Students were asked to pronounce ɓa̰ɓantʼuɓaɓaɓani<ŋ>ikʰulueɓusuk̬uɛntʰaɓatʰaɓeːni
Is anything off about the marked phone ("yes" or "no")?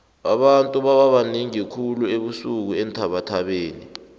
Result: no